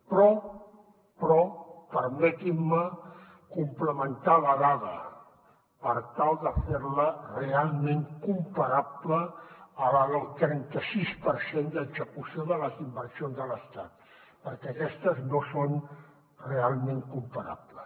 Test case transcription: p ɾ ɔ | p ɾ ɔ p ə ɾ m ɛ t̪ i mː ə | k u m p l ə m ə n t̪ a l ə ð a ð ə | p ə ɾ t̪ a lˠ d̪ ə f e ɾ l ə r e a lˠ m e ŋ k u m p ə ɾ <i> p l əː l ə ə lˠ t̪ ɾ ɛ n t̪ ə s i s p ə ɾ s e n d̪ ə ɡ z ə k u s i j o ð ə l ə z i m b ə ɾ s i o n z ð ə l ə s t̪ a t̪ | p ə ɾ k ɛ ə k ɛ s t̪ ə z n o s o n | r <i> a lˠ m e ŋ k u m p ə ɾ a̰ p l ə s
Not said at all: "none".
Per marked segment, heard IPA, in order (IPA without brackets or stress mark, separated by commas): a, e